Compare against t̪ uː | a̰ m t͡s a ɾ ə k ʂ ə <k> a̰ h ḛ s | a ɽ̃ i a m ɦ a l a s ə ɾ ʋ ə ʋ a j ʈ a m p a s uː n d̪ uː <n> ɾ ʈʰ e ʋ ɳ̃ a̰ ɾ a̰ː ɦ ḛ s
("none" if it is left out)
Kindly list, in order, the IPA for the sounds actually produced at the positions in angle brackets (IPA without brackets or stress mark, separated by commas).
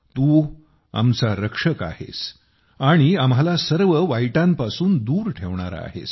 k, none